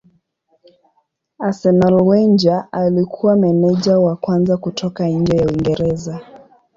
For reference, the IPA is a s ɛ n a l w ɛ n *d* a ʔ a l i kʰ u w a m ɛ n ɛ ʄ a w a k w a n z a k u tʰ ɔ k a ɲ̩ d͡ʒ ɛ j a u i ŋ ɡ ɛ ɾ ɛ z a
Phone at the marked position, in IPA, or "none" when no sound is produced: d͡ʒ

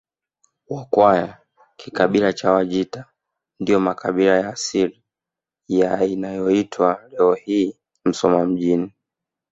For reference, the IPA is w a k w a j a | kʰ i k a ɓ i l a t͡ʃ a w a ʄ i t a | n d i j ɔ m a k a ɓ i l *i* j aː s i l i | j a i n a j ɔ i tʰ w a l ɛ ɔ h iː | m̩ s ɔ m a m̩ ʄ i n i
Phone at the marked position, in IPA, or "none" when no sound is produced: a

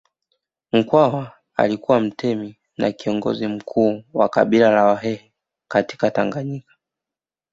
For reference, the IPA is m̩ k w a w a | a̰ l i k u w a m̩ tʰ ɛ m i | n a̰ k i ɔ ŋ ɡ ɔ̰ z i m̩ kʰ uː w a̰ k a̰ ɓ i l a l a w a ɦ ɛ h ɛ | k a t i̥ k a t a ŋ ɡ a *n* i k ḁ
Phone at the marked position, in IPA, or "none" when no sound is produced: ɲ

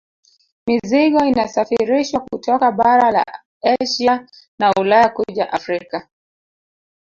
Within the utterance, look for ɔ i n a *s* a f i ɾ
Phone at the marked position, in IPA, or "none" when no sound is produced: s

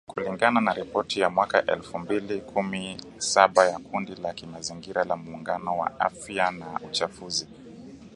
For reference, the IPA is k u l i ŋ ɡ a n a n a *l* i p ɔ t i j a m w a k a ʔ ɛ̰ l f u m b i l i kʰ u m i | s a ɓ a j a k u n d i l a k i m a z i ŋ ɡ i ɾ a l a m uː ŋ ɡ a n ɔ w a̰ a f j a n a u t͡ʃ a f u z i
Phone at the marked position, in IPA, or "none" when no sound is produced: ɾ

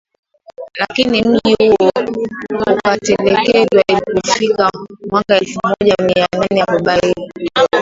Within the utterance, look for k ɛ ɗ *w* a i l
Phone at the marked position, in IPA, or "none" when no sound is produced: w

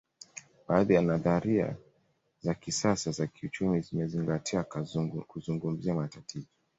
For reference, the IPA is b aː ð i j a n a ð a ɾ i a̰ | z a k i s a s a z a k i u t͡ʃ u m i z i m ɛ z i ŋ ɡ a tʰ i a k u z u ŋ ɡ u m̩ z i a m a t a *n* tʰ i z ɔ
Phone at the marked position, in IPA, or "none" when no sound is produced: none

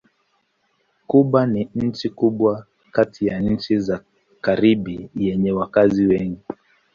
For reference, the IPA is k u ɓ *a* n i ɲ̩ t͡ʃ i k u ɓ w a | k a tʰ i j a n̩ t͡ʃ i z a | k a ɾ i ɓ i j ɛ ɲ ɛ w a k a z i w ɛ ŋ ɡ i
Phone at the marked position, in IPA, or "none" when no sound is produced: a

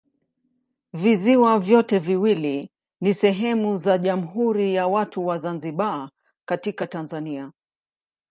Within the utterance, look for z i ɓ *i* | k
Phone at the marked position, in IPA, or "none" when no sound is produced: a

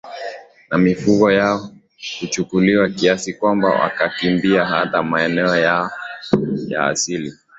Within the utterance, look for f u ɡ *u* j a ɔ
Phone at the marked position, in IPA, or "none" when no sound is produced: ɔ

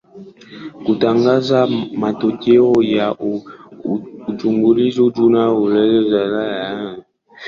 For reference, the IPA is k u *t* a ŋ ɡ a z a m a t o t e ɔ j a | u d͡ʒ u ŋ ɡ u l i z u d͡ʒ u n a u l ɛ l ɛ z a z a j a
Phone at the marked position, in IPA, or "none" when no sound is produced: t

